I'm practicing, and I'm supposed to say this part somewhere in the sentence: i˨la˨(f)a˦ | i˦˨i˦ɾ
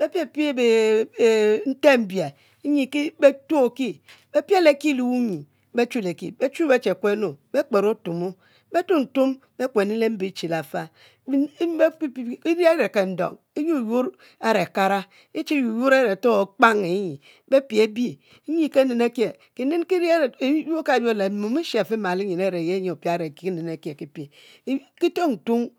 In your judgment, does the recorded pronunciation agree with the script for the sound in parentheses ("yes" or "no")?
yes